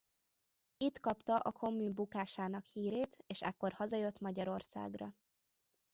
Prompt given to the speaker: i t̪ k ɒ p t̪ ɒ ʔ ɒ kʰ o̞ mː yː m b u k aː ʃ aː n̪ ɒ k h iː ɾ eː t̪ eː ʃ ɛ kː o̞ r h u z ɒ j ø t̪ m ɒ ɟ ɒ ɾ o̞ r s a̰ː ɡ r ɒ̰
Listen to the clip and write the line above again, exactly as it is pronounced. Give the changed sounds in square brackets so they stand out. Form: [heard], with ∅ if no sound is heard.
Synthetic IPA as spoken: i t̪ k ɒ p t̪ ɒ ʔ ɒ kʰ o̞ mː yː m b u k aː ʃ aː n̪ ɒ k h iː ɾ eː t̪ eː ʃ ɛ kː o̞ r h [ɒ] z ɒ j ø t̪ m ɒ ɟ ɒ ɾ o̞ r s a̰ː ɡ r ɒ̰